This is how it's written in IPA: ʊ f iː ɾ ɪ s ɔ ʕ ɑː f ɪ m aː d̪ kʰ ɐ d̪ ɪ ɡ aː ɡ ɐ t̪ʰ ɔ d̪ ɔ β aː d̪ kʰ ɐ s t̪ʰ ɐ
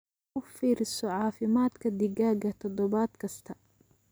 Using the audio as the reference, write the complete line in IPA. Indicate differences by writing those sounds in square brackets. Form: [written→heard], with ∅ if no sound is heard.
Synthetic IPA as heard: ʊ f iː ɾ ɪ s ɔ ʕ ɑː f ɪ m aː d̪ kʰ ɐ d̪ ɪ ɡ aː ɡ ɐ t̪ʰ ɔ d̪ ɔ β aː d̪ kʰ ɐ s t̪ʰ ɐ

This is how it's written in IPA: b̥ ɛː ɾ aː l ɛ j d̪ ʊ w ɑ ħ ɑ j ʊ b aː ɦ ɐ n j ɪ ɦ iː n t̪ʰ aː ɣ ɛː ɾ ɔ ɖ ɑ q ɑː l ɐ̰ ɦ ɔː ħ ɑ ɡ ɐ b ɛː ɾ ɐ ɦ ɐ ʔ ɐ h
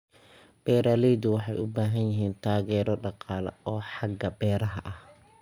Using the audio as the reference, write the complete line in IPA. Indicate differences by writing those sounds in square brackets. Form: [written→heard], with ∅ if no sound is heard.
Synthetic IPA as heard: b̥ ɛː ɾ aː l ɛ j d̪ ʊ w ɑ ħ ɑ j ʊ b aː ɦ ɐ n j ɪ ɦ iː n t̪ʰ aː ɣ ɛː ɾ ɔ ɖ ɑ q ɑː l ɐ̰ [ɦ→∅] ɔː ħ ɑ ɡ ɐ b ɛː ɾ ɐ ɦ ɐ ʔ ɐ h

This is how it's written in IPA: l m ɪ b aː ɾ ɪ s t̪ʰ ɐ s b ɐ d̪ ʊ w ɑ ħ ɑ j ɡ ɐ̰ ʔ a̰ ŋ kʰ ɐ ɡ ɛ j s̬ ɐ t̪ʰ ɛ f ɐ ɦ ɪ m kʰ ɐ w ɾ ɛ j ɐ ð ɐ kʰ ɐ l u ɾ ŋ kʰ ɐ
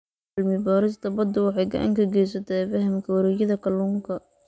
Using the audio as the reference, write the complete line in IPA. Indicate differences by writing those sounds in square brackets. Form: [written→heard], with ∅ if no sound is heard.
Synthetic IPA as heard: l m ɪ b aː ɾ ɪ s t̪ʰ ɐ [s→∅] b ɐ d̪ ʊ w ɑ ħ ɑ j ɡ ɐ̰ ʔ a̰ ŋ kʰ ɐ ɡ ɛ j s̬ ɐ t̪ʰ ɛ f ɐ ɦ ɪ m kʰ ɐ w ɾ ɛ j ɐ ð ɐ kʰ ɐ l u [ɾ→∅] ŋ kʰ ɐ

